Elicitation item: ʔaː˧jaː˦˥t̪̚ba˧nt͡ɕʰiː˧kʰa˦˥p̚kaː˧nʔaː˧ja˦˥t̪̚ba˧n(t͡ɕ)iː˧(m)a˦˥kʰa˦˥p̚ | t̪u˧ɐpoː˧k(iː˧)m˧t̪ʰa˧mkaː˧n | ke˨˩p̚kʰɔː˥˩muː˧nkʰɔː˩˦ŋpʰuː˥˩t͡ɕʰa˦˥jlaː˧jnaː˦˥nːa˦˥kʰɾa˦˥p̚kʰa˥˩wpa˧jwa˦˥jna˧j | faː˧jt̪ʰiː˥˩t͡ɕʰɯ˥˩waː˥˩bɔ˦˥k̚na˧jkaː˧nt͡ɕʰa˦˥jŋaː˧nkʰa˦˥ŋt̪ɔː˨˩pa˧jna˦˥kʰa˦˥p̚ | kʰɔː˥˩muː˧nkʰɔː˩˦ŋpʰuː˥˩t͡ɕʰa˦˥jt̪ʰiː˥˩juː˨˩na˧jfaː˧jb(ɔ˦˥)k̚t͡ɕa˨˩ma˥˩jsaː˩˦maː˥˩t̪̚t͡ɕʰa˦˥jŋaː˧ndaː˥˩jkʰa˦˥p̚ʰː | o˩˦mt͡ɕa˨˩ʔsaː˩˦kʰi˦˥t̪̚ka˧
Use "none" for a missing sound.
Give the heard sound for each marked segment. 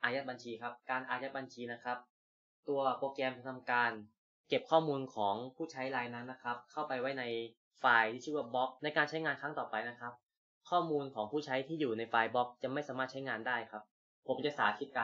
t͡ɕʰ, n, ɛː˧, ɔ˦˥

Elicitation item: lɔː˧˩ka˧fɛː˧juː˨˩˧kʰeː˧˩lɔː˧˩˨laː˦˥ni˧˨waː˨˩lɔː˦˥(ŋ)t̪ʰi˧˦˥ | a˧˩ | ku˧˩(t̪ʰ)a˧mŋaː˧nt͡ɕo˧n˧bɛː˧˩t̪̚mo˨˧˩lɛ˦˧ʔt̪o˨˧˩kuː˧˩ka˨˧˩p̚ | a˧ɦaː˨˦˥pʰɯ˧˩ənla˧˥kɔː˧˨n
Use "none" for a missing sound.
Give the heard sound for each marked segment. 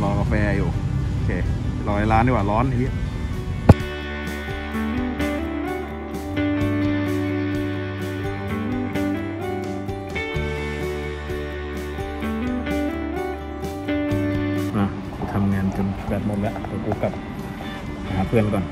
n, t̪ʰ

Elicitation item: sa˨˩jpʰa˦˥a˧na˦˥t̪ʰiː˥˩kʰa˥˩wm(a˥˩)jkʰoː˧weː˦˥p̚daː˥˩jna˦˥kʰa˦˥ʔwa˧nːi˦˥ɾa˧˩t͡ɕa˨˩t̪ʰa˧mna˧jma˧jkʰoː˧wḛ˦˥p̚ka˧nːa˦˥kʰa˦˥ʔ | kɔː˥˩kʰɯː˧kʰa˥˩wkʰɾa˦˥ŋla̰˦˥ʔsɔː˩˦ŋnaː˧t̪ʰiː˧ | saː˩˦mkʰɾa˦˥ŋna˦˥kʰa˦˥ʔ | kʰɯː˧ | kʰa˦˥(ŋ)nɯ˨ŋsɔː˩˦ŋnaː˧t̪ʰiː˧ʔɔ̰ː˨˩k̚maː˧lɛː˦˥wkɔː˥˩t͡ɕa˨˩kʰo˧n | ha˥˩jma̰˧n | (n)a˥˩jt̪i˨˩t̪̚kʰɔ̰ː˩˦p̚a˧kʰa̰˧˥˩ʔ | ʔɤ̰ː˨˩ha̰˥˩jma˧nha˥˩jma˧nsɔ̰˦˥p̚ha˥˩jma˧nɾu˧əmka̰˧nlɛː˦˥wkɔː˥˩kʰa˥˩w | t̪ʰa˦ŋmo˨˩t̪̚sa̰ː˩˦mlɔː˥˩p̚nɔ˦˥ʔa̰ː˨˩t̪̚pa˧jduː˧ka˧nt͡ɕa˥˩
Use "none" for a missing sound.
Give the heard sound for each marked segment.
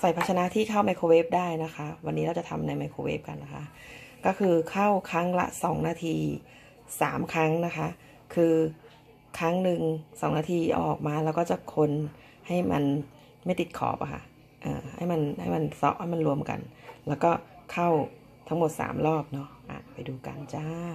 a˧, ŋ, m

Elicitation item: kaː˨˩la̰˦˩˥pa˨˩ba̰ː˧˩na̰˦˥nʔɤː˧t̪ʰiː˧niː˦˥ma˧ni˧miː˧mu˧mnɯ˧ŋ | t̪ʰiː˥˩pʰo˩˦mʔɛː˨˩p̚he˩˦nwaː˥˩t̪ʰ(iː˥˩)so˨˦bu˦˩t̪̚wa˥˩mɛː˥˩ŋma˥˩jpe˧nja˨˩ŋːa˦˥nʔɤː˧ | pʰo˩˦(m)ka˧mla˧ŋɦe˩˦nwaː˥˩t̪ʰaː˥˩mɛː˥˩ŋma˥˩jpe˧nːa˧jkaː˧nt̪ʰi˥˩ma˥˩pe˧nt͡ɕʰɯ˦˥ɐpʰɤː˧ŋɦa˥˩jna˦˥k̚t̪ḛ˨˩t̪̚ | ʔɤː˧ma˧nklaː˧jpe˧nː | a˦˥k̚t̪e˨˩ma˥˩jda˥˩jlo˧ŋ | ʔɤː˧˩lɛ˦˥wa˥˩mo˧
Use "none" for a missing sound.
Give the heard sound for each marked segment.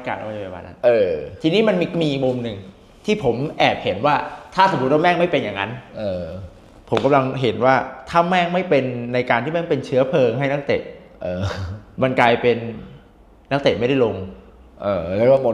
aː˥˩, m

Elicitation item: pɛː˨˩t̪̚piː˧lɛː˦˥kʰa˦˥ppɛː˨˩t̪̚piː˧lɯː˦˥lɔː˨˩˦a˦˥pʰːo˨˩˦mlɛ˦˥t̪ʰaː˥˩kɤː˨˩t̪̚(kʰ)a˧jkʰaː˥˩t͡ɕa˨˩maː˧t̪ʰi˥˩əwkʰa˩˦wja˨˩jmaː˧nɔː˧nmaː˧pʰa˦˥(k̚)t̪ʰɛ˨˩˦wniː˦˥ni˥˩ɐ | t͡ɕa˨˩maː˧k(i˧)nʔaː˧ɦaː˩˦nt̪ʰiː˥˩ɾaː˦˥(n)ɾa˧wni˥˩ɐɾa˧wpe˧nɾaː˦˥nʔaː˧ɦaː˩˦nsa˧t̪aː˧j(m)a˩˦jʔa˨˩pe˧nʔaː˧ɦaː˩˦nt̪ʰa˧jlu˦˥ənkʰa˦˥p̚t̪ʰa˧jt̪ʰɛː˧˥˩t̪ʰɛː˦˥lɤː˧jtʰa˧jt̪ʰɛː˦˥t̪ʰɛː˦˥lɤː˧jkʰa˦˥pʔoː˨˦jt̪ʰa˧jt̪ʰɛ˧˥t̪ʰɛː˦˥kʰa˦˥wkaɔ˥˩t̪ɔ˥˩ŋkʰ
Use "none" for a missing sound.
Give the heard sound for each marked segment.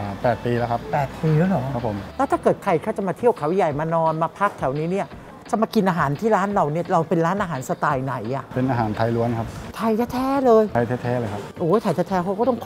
kʰ, k̚, i˧, n, n

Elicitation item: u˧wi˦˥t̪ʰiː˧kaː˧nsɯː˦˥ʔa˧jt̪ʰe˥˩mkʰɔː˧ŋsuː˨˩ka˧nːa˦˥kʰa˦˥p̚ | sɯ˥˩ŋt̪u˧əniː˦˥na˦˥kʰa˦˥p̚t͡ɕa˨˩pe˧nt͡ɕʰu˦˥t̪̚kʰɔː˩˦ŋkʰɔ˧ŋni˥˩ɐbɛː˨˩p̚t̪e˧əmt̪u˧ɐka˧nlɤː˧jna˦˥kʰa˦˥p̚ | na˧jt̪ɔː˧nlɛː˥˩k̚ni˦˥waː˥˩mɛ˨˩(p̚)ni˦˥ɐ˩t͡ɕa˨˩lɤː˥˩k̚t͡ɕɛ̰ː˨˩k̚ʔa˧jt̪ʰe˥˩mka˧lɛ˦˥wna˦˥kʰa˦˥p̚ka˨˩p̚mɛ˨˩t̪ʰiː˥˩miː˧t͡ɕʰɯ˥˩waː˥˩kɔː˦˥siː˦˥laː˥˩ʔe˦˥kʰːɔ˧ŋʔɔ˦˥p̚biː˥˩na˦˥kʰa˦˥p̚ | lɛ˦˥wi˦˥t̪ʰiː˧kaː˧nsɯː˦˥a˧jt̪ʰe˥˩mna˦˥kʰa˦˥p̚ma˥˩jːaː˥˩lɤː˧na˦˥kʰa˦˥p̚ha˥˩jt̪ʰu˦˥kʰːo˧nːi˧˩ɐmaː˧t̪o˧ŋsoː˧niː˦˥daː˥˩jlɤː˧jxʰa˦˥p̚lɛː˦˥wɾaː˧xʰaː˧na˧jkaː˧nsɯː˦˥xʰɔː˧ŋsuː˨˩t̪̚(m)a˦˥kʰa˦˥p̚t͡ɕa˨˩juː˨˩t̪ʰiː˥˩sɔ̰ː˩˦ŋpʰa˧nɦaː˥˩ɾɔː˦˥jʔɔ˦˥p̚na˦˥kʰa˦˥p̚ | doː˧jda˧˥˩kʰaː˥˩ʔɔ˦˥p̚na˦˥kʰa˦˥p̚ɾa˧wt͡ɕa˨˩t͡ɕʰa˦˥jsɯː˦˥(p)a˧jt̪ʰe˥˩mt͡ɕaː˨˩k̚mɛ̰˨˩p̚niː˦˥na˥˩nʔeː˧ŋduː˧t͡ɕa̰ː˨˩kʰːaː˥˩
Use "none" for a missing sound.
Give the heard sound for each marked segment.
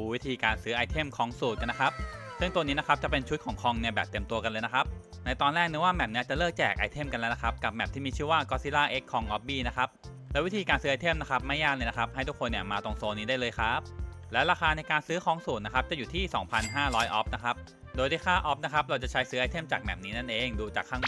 p̚, n, ʔ

